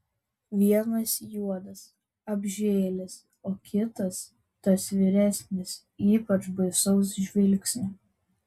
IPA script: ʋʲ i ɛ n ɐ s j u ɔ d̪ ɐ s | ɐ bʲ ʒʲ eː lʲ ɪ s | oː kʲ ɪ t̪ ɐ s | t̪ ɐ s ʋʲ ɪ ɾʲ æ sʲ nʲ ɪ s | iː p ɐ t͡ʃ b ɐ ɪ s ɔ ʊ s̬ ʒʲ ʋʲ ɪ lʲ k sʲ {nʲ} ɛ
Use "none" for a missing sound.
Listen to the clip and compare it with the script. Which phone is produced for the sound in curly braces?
nʲ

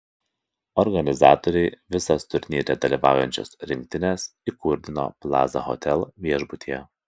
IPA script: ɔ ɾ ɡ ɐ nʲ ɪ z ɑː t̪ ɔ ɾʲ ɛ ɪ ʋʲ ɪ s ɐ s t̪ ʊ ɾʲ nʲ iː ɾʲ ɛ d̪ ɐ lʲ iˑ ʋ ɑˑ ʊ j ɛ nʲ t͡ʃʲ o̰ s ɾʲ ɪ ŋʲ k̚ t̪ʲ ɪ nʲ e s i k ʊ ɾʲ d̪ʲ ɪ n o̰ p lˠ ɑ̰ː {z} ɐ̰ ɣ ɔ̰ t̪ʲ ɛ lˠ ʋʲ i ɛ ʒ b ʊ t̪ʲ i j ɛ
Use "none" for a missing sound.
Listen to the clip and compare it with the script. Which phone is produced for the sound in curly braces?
z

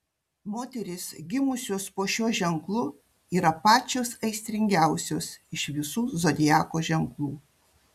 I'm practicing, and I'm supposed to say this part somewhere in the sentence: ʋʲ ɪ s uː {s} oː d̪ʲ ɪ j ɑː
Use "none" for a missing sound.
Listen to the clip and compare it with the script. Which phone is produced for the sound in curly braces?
z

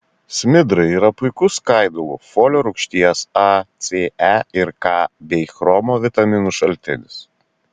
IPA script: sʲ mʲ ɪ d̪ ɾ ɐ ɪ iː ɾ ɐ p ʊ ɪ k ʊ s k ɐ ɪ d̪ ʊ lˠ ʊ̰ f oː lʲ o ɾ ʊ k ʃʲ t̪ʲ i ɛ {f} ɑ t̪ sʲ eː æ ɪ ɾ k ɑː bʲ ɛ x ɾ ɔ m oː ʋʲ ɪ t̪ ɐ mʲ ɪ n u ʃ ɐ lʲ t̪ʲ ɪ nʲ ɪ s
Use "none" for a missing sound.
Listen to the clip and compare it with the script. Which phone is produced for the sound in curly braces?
s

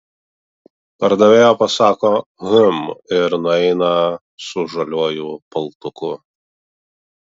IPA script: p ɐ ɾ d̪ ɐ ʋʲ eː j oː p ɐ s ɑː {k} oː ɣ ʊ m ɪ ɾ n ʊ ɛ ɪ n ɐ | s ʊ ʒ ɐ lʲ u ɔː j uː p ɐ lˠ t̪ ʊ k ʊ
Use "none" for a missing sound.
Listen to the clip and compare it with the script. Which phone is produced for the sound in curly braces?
k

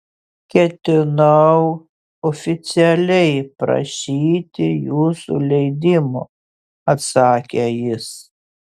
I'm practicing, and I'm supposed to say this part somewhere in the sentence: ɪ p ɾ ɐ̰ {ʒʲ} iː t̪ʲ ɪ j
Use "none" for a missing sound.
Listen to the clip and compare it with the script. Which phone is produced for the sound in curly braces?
ʃʲ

